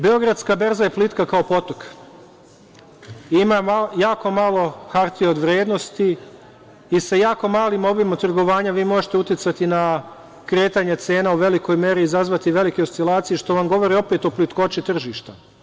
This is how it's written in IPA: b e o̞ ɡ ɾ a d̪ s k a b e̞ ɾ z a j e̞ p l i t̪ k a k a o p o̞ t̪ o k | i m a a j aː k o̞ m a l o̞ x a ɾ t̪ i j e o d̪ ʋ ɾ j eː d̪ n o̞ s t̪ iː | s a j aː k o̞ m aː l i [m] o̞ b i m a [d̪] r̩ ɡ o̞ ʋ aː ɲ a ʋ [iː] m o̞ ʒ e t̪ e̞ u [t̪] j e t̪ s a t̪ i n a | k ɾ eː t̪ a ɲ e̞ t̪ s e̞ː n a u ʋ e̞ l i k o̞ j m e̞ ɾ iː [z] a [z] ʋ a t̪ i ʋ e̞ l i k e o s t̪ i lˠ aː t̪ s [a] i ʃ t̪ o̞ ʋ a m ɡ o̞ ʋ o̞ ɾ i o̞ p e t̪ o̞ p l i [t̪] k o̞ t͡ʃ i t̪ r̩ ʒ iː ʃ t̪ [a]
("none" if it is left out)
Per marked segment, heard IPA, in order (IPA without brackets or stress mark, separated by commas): m, t̪, iː, t̪, z, z, i, t̪, a